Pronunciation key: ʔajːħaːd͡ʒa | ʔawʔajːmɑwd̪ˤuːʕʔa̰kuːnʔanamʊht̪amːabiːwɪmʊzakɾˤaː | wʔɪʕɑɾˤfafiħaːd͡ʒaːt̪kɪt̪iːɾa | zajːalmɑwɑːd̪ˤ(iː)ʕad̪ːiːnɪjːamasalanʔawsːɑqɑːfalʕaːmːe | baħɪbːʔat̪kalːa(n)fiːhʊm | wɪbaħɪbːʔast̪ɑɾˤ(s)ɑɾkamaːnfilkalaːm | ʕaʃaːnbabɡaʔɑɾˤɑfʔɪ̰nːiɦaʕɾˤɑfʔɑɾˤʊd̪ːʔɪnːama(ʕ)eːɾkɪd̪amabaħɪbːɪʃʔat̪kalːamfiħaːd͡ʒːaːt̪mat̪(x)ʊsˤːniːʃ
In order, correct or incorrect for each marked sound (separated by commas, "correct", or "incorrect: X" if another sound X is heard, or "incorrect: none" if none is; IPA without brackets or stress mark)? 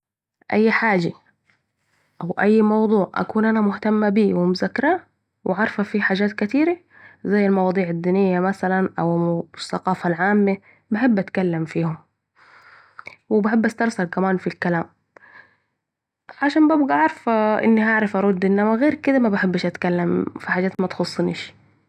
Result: correct, incorrect: m, correct, incorrect: ɣ, correct